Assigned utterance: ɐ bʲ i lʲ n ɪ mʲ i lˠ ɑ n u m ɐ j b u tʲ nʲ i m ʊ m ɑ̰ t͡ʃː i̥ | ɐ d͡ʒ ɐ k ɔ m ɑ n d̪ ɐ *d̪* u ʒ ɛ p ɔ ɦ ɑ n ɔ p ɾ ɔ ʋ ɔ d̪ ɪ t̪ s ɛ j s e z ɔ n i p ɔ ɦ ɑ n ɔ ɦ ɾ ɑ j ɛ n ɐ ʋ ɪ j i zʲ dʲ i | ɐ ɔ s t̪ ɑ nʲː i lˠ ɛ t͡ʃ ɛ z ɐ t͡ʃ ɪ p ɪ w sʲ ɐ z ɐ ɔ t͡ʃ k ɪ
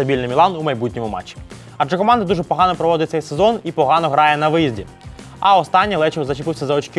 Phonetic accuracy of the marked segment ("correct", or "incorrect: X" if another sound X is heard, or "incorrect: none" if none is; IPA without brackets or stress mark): correct